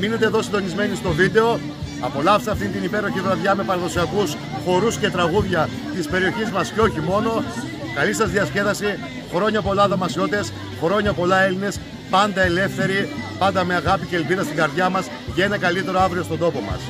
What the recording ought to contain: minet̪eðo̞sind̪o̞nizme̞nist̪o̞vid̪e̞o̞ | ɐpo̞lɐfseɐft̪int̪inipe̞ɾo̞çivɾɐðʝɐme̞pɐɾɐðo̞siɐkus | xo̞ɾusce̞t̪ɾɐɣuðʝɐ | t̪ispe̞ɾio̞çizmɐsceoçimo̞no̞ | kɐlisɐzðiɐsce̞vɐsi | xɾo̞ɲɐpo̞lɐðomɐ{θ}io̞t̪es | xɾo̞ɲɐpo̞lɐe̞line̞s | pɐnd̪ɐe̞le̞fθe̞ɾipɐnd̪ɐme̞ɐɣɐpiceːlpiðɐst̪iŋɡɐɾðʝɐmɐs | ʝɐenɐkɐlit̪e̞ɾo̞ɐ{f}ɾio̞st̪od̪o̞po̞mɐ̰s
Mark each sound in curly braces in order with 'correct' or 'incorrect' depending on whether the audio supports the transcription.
incorrect, incorrect

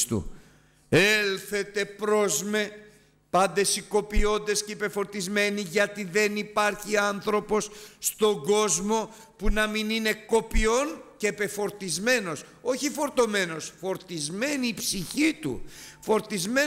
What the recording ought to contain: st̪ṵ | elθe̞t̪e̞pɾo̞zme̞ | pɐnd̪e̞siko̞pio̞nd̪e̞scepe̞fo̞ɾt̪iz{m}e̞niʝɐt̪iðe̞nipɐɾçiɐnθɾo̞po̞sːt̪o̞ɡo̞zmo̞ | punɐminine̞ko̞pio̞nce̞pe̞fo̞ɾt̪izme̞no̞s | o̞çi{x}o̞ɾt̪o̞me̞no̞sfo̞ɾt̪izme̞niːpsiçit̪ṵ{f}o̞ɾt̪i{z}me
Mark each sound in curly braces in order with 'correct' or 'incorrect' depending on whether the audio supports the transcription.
correct, incorrect, correct, correct

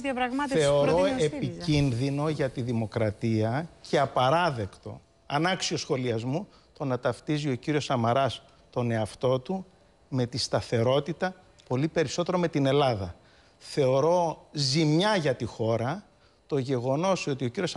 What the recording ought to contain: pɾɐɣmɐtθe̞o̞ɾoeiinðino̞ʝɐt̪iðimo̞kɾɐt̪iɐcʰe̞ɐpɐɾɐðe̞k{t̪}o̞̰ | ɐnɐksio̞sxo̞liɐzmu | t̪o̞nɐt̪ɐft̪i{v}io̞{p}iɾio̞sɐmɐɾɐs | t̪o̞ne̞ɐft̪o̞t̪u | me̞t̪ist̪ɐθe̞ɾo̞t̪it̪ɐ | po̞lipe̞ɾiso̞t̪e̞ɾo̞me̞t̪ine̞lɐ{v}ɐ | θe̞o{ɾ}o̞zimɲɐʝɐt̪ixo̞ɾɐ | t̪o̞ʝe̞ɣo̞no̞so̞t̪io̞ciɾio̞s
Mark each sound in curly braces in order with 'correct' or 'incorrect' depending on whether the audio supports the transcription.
correct, incorrect, incorrect, incorrect, correct

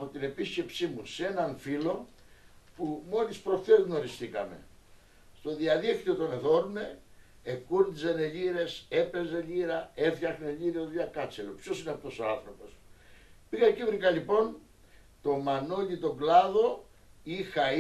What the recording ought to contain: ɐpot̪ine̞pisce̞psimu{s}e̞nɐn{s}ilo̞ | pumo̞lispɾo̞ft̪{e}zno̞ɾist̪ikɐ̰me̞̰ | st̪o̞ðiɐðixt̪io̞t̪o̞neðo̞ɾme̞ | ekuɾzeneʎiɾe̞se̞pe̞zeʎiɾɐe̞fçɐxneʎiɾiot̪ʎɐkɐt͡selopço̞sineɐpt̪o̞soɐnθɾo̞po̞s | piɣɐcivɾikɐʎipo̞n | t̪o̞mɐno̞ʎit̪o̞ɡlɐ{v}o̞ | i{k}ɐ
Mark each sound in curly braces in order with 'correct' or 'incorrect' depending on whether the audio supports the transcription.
correct, incorrect, correct, incorrect, incorrect

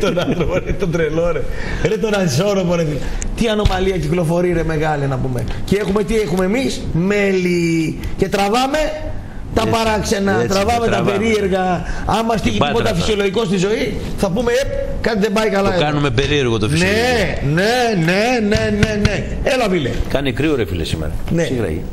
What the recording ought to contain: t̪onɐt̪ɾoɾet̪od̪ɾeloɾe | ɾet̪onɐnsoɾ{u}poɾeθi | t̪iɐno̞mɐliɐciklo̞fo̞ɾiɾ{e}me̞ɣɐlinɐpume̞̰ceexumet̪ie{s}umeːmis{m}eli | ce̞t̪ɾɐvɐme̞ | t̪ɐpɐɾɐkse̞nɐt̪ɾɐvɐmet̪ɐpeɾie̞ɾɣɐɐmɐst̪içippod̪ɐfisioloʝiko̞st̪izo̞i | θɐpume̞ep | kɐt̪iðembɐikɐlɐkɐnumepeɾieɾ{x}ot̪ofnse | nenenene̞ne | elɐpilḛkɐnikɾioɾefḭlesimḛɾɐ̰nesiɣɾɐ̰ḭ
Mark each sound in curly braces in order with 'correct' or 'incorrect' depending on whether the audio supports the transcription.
incorrect, correct, incorrect, correct, incorrect

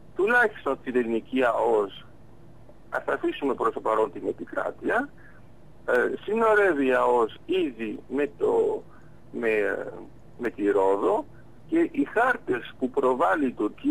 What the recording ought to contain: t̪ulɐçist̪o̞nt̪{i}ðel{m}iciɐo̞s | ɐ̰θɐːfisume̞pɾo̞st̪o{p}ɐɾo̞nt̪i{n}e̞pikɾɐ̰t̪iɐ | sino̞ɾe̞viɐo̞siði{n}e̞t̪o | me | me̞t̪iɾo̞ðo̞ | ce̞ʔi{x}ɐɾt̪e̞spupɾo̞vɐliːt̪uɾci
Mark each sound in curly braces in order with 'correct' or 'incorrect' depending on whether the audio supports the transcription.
correct, incorrect, correct, correct, incorrect, correct

